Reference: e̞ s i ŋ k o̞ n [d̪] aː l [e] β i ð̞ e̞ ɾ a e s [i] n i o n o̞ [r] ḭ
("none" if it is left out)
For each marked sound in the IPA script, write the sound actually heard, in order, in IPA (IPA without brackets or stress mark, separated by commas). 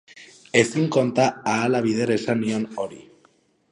t̪, a, a, ɾ